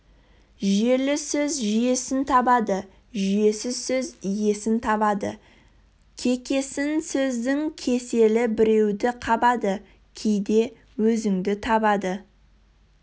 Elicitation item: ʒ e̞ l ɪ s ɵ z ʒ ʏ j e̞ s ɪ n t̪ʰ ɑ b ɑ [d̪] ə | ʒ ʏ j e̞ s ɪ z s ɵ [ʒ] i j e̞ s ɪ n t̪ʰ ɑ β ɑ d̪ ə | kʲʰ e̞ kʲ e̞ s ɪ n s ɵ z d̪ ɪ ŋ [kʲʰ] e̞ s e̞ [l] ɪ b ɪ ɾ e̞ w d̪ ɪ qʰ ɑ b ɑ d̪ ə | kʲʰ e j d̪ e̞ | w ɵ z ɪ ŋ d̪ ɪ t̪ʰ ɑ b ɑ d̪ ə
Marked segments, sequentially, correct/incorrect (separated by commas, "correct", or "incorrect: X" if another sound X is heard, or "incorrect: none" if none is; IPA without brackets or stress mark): correct, incorrect: z, correct, correct